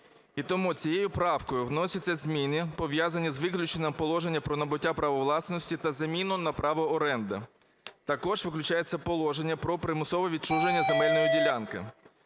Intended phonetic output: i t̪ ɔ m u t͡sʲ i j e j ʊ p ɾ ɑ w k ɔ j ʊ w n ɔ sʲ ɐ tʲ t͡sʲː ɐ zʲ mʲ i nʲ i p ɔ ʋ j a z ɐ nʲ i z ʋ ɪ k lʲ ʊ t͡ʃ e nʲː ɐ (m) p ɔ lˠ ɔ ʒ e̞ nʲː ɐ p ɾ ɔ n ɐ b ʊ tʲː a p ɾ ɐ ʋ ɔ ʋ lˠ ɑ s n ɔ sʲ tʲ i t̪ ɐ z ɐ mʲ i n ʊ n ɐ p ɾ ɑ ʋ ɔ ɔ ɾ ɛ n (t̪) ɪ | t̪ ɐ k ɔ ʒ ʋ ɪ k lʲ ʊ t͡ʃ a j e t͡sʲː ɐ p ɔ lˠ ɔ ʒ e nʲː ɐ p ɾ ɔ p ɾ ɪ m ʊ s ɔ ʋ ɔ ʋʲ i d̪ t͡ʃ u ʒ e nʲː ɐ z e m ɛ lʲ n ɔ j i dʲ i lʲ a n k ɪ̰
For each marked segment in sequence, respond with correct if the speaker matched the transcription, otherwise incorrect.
correct, incorrect: d̪

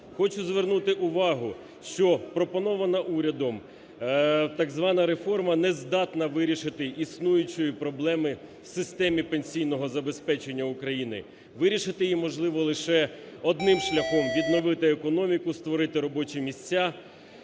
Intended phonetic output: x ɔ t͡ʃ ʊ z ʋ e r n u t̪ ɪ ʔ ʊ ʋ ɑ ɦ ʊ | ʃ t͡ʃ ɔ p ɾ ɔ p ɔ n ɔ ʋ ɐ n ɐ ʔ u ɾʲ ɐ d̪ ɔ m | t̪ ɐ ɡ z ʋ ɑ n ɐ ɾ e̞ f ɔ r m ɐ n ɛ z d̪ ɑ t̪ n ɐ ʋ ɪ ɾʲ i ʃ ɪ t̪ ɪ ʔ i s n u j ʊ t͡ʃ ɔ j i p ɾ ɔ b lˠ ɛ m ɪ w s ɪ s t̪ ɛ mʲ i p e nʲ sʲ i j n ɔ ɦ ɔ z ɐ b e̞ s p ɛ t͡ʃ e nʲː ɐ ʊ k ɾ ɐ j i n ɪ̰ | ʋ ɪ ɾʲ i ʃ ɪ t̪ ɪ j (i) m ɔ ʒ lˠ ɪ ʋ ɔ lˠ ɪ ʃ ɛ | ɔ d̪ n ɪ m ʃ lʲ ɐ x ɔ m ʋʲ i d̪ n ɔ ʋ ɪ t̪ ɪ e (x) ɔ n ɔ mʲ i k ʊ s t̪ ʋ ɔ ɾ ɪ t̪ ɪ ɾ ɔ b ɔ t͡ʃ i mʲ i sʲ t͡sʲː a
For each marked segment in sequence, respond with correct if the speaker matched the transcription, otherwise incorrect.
correct, incorrect: k

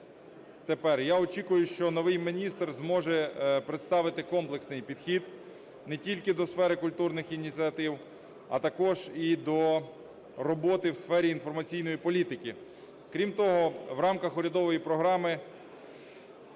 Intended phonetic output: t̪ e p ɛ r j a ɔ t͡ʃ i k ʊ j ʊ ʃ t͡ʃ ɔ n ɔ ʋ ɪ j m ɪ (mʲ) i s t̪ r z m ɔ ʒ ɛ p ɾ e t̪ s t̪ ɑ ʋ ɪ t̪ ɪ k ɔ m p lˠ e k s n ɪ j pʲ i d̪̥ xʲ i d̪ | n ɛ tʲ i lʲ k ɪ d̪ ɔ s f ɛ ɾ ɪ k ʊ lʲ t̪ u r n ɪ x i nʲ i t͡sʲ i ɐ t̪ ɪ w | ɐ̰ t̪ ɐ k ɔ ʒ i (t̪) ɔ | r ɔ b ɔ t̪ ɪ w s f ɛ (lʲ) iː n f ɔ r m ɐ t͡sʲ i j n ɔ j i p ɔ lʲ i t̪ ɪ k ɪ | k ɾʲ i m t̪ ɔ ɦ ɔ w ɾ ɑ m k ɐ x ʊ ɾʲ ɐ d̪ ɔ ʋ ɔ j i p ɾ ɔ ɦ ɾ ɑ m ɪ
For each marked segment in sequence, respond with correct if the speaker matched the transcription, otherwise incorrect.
incorrect: nʲ, incorrect: d̪, incorrect: ɾʲ

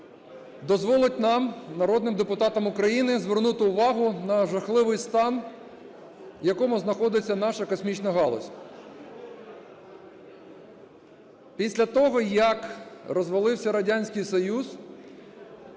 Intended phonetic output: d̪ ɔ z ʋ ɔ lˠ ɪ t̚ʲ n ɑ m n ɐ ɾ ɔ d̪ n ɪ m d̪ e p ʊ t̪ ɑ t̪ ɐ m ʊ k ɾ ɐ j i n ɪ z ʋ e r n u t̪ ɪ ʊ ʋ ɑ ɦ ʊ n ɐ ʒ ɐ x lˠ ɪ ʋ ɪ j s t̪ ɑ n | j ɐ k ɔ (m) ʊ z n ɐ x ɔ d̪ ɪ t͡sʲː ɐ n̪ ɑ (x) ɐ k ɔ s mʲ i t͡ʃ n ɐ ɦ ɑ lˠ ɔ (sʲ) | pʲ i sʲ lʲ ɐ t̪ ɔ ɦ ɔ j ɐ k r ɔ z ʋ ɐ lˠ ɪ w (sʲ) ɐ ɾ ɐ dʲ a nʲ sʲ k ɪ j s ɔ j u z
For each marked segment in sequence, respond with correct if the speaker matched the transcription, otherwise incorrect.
correct, incorrect: ʃ, correct, correct

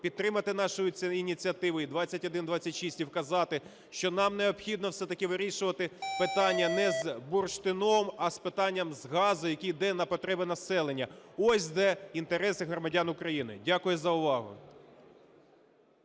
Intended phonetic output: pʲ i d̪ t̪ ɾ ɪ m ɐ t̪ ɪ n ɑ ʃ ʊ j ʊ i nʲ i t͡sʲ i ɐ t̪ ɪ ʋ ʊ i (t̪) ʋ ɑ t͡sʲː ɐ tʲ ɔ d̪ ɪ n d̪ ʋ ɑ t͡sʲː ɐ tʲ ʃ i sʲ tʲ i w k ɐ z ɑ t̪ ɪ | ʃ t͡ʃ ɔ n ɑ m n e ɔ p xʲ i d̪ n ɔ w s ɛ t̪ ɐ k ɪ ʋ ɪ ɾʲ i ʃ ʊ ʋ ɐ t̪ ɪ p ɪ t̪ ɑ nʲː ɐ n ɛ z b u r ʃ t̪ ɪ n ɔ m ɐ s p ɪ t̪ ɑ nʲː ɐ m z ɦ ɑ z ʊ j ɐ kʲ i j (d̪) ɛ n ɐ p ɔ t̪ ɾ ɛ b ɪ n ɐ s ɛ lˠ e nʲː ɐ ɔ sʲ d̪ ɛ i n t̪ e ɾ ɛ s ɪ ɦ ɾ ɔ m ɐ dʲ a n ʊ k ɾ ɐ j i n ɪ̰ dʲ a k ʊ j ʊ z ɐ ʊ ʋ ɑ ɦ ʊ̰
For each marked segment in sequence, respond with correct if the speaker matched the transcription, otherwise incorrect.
incorrect: d̪, correct

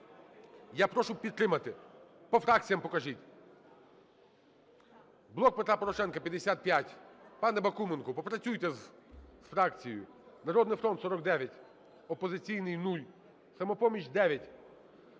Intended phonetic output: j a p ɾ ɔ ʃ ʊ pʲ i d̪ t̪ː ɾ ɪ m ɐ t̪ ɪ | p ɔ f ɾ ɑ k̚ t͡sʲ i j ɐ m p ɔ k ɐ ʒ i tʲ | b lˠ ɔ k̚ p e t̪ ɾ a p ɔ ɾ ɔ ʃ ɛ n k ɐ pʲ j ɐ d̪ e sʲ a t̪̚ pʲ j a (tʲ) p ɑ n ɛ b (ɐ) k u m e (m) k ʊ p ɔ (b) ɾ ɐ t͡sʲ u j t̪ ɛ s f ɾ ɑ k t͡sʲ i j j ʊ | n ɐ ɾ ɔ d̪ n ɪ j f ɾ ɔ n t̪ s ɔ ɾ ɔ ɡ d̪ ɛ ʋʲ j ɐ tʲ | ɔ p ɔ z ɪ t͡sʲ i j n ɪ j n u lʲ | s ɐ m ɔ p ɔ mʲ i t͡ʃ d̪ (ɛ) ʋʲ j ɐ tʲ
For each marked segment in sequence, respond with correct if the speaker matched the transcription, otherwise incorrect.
correct, correct, incorrect: n, incorrect: p, correct

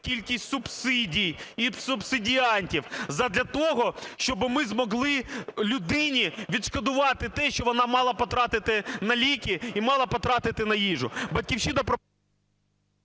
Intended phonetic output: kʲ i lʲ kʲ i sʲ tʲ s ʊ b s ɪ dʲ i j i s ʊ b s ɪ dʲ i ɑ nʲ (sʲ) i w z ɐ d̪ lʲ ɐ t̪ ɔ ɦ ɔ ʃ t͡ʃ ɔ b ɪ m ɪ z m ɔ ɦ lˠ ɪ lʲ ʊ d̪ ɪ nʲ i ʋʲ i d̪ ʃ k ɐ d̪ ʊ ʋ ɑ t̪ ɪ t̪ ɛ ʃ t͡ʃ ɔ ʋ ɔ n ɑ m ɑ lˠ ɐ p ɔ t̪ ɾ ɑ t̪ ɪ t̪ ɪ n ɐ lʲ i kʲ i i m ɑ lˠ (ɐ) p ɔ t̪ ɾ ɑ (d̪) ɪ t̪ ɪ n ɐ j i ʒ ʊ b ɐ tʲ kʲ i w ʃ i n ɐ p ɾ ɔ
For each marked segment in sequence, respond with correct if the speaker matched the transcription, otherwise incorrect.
incorrect: tʲ, correct, incorrect: t̪

